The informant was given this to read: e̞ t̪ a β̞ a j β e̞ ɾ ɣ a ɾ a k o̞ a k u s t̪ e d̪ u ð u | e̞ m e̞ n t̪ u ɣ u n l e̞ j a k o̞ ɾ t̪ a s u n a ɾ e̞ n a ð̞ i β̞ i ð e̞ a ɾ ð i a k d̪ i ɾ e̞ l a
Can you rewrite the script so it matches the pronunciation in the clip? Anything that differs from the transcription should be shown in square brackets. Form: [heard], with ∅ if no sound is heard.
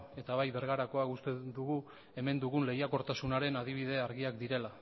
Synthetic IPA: e̞ t̪ a β̞ a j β e̞ ɾ ɣ a ɾ a k o̞ a k u s t̪ e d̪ u [ɣ] u | e̞ m e̞ n [d̪] u ɣ u n l e̞ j a k o̞ ɾ t̪ a s u n a ɾ e̞ n a ð̞ i β̞ i ð e̞ a ɾ [ɣ] i a k d̪ i ɾ e̞ l a